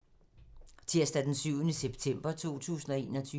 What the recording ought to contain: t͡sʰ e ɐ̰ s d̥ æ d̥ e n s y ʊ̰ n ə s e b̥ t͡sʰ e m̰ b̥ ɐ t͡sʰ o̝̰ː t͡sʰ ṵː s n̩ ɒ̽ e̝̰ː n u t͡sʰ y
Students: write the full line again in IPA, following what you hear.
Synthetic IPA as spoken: t͡sʰ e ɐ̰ s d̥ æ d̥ e n s y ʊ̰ n ə s e b̥ t͡sʰ e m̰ b̥ ɐ t͡sʰ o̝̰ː t͡sʰ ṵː s n̩ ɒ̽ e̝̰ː n ɒ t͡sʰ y